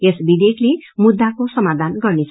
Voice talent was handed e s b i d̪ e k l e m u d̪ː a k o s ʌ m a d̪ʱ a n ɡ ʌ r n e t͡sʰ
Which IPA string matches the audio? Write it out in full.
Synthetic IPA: e s b i d̪ e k l e m u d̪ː a k o s ʌ m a d̪ʱ a n ɡ ʌ r n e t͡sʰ